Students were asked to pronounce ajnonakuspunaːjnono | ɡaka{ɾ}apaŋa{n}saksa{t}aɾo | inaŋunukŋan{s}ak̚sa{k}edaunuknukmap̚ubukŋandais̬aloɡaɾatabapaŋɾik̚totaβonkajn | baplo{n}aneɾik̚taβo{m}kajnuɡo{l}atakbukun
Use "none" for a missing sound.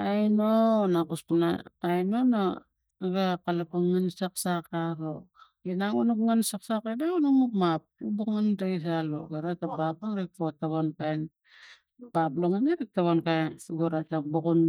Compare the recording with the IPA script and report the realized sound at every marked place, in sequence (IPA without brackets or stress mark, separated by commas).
l, n, k, s, k, ŋ, n, ɾ